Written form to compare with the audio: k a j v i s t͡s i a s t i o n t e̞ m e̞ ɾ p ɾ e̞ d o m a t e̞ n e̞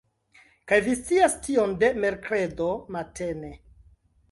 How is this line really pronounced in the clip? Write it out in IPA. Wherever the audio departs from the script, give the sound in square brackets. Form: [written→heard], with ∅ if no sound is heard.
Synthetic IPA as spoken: k a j v i s t͡s i a s t i o n [t→d] e̞ m e̞ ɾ [p→k] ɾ e̞ d o m a t e̞ n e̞